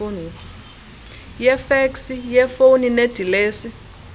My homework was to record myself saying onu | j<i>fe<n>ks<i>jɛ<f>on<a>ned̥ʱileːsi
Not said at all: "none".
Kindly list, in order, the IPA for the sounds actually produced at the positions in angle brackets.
ɛ, none, i, f, i

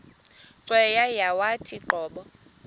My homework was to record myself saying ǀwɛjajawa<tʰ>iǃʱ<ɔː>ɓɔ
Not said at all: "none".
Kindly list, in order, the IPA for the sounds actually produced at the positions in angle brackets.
tʰ, ɔː

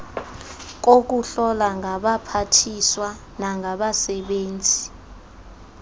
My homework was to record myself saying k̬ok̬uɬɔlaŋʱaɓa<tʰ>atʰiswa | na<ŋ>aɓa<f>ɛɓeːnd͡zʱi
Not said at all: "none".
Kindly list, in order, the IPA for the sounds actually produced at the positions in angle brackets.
pʰ, ŋ, s

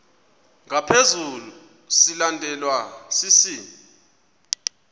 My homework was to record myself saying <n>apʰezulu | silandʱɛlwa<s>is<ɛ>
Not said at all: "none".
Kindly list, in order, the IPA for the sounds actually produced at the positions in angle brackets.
ŋ, s, i

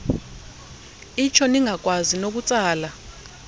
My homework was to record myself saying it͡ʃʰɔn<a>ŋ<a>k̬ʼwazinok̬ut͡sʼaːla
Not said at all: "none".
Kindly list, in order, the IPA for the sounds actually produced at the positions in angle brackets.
i, a

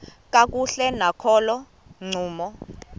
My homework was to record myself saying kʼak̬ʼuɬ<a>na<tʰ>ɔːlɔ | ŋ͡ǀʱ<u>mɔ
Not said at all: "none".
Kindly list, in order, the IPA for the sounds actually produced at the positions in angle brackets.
ɛ, kʰ, uː

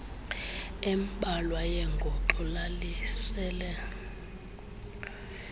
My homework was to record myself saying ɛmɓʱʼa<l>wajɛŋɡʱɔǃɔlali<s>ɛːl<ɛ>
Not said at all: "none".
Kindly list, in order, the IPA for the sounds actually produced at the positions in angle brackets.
l, s, ɛ

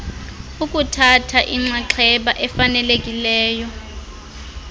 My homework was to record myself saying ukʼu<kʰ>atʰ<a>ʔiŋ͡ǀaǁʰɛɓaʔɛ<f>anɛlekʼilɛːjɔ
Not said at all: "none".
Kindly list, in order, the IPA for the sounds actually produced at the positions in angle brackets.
tʰ, a, f

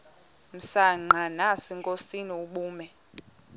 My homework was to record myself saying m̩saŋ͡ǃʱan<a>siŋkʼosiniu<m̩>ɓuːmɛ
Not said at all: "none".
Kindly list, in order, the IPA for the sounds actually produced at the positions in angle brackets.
a, none

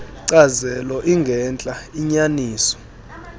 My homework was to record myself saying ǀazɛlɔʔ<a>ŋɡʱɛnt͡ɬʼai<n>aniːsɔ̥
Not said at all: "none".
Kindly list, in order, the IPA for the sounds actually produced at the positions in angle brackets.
i, ɲ

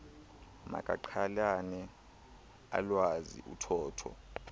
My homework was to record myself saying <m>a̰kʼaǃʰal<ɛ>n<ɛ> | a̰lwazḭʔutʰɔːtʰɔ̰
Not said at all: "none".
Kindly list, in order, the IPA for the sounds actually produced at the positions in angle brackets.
m, a, ɛ

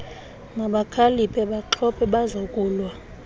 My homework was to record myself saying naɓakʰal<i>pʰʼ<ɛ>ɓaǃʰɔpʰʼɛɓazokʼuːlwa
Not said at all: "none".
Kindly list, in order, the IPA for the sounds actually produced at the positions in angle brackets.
i, ɛ

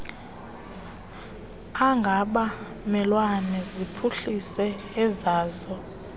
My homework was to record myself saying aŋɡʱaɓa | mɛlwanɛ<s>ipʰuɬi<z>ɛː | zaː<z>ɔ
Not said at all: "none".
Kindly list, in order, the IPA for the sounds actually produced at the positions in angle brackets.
z, s, z

